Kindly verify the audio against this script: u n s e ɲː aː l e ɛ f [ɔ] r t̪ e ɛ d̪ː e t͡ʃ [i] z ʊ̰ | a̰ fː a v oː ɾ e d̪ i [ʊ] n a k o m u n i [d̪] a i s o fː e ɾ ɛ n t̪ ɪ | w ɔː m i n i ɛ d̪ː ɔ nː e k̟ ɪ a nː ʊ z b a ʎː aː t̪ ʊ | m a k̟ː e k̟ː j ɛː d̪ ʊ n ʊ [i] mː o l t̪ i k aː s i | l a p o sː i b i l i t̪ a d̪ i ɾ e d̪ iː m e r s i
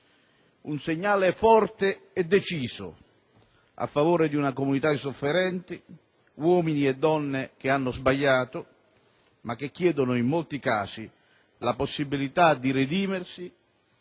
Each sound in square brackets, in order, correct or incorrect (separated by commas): correct, incorrect, incorrect, incorrect, correct